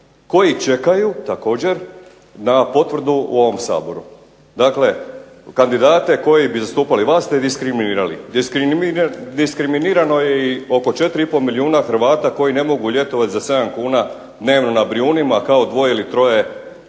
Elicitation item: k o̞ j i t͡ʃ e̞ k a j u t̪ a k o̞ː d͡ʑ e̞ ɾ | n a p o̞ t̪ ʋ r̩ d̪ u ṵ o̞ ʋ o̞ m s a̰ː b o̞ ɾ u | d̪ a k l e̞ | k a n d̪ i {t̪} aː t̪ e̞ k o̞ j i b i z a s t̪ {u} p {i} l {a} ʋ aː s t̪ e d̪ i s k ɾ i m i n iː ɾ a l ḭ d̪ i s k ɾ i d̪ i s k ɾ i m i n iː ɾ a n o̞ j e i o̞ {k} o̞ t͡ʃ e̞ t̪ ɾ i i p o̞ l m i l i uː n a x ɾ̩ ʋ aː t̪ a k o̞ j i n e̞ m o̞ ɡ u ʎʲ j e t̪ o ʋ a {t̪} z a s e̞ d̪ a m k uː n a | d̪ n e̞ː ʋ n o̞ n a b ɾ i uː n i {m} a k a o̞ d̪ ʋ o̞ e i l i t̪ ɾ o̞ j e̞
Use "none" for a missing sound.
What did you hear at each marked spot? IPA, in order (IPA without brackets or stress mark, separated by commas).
d̪, uː, a, i, k, t̪, m